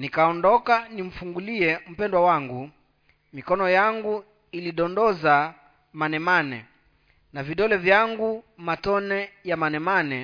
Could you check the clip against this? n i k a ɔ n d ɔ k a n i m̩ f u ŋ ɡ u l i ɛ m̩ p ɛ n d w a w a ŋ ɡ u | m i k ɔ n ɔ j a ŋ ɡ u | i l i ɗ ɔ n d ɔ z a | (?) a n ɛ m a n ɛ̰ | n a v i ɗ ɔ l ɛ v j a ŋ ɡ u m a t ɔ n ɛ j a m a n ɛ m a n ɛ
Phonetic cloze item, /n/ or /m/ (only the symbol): m